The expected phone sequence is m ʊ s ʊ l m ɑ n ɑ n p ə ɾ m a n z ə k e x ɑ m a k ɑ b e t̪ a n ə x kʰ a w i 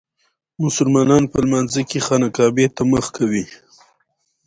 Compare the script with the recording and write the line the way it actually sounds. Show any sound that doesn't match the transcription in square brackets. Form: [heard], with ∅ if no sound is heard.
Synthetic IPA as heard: m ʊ s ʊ l m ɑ n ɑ n p ə [l] m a n z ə k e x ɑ [n] a k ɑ b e t̪ a [m] ə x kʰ a w i